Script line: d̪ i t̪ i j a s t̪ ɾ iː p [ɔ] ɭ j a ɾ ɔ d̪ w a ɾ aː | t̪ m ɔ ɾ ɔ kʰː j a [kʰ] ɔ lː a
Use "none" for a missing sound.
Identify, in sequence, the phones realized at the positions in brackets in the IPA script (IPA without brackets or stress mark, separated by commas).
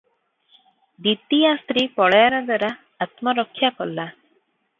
ɔ, k